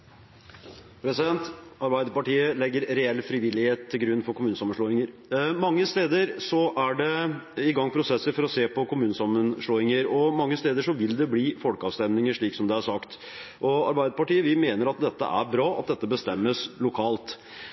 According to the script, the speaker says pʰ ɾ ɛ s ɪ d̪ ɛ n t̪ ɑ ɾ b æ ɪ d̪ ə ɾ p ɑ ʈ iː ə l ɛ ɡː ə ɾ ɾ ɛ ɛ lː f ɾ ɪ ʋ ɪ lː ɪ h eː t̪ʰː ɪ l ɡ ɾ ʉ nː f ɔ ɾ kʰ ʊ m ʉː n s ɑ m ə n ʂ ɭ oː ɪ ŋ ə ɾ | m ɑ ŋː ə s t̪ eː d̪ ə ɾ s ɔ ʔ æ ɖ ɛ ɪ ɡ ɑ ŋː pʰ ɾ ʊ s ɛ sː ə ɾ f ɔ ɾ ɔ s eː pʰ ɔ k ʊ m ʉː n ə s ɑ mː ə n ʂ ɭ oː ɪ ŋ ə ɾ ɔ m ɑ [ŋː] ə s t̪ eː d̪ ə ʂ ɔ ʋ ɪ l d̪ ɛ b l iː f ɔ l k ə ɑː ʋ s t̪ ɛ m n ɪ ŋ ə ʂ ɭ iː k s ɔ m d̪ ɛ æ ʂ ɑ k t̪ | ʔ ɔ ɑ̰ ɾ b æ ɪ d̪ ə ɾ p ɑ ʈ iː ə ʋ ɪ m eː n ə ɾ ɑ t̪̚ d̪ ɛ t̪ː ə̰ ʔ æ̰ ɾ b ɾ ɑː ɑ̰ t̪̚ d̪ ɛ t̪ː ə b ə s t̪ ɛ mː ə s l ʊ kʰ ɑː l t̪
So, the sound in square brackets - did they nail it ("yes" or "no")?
yes